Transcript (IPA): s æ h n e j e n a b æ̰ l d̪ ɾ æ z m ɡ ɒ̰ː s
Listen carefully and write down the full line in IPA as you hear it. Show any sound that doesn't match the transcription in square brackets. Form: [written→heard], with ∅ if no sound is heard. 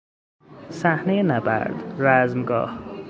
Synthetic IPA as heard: s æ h n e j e n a b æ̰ [l→ɾ] d̪ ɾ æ z m ɡ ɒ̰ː [s→h]

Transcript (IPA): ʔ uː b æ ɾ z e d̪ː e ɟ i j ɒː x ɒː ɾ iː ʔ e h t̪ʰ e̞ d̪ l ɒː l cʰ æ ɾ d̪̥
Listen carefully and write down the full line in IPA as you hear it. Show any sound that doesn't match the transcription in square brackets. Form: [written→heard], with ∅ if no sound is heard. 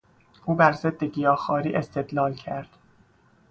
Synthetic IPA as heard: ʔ uː b æ ɾ z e d̪ː e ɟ i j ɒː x ɒː ɾ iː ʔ e [h→s] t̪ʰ e̞ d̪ l ɒː l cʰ æ ɾ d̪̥

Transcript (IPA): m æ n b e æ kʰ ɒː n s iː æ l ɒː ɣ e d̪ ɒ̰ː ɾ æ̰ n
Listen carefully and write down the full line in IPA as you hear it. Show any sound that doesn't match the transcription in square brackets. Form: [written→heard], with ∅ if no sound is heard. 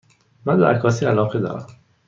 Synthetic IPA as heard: m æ n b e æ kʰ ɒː [n→∅] s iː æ l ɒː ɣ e d̪ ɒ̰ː ɾ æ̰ [n→m]

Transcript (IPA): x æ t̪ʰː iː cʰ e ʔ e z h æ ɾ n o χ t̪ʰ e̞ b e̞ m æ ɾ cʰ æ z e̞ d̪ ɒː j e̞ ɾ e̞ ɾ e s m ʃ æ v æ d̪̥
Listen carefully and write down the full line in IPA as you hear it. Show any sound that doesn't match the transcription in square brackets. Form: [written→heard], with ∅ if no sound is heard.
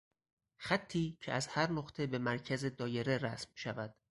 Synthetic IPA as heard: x æ t̪ʰː iː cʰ e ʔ [e→æ] z h æ ɾ n o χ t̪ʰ e̞ b e̞ m æ ɾ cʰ æ z e̞ d̪ ɒː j e̞ ɾ e̞ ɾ [e→æ] s m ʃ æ v æ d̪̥

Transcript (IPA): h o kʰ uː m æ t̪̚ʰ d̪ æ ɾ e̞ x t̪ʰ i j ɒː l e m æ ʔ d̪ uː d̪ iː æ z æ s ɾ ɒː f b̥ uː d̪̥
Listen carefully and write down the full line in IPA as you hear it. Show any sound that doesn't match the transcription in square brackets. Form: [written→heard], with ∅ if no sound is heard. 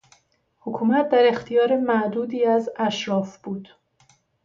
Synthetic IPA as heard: h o kʰ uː m æ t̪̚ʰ d̪ æ ɾ e̞ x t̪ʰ i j ɒː [l→ɾ] e m æ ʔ d̪ uː d̪ iː æ z æ [s→ʃ] ɾ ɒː f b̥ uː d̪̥

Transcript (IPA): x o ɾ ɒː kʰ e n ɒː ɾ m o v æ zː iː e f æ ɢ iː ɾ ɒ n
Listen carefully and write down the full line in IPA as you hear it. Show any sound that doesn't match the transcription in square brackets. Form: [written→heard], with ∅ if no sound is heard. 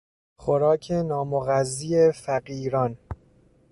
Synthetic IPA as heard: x o ɾ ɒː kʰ e n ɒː [ɾ→∅] m o [v→ɣ] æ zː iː e f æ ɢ iː ɾ ɒ n

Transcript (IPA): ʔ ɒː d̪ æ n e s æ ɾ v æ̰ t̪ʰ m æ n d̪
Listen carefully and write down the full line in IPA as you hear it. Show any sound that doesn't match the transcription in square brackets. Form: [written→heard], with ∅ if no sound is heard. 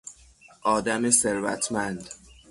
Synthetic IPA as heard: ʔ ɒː d̪ æ [n→m] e s [æ→e] ɾ v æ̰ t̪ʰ m æ n d̪

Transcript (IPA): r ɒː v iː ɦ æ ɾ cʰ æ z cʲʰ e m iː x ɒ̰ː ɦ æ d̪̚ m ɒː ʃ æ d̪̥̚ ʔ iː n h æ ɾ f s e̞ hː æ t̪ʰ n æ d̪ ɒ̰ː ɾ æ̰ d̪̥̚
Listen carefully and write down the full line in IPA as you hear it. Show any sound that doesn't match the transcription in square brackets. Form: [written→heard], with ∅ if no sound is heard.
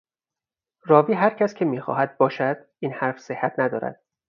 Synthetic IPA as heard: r ɒː v iː ɦ æ ɾ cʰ æ [z→s] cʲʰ e m iː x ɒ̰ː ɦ æ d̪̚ [m→b] ɒː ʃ æ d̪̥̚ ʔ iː n h æ ɾ f s e̞ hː æ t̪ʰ n æ d̪ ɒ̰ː ɾ æ̰ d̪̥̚

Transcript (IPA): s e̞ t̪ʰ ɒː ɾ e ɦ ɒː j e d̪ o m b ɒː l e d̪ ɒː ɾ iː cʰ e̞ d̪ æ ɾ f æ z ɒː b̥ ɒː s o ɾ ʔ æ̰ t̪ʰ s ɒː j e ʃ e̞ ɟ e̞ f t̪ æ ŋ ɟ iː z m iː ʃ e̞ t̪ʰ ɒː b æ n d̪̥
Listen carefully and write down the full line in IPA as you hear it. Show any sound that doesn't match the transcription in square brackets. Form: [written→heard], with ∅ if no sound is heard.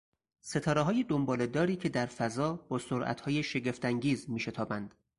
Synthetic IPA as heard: s e̞ t̪ʰ ɒː ɾ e ɦ ɒː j e d̪ o m b ɒː l e d̪ ɒː ɾ iː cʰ e̞ d̪ æ ɾ f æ z ɒː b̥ ɒː s o ɾ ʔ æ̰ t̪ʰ [s→h] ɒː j e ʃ e̞ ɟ e̞ f t̪ æ ŋ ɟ iː z m iː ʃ e̞ t̪ʰ ɒː b æ n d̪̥

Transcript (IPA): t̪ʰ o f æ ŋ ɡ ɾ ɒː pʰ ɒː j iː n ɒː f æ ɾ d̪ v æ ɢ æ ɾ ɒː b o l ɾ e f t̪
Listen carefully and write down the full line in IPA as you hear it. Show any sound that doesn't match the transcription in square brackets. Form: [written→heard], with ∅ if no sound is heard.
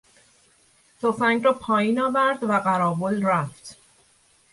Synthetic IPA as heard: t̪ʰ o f æ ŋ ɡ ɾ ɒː pʰ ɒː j iː n ɒː [f→v] æ ɾ d̪ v æ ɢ æ ɾ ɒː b o l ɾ [e→æ] f t̪

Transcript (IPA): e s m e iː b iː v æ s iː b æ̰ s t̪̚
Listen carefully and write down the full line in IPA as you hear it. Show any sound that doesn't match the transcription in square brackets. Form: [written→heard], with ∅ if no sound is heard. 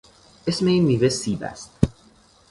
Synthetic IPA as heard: e s m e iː [b→m] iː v [æ→e] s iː b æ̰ s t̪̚

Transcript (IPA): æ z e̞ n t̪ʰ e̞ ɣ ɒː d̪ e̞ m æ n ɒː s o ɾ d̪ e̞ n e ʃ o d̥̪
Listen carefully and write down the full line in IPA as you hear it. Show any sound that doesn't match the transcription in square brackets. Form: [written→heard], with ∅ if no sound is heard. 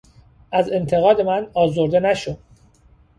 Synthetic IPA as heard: æ z e̞ n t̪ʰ e̞ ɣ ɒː d̪ e̞ m æ n ɒː [s→z] o ɾ d̪ e̞ n [e→æ] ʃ o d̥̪

